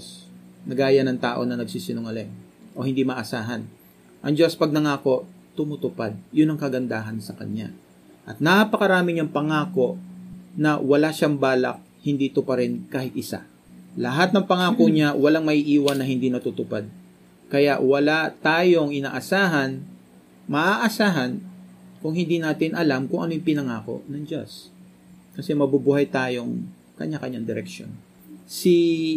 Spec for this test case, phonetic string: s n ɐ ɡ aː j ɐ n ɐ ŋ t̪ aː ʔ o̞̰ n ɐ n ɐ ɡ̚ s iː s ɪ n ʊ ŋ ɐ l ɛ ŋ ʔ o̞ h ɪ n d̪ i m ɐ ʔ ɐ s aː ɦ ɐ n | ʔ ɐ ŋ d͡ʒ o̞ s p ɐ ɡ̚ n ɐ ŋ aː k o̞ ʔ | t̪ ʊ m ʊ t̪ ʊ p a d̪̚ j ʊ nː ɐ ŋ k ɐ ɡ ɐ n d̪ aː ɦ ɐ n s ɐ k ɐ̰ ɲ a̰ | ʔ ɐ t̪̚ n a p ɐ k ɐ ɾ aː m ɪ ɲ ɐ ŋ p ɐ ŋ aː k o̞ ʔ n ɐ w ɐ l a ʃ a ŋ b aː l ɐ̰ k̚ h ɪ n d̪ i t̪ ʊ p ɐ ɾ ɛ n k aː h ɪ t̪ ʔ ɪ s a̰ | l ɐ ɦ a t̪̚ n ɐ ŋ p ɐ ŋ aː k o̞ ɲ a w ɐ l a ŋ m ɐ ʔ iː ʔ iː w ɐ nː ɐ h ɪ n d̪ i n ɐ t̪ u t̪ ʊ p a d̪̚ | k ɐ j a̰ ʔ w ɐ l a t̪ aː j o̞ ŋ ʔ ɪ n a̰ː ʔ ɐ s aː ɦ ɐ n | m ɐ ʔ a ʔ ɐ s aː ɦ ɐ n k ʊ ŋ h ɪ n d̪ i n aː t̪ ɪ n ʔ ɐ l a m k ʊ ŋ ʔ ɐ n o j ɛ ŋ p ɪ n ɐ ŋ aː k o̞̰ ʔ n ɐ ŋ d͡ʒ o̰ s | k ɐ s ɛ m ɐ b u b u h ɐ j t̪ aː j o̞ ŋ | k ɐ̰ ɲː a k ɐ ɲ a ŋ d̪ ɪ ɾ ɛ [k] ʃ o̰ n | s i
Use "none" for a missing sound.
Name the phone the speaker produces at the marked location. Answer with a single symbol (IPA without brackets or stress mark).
k